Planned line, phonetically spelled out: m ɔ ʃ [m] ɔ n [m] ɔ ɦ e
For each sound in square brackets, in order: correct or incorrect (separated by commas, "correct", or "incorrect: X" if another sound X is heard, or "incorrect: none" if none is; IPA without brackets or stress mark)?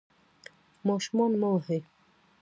correct, correct